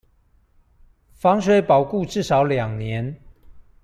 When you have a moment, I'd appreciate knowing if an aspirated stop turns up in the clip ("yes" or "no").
no